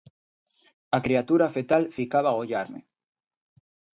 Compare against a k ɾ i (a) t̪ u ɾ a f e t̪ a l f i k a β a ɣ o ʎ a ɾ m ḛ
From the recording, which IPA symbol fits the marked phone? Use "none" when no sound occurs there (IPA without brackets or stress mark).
a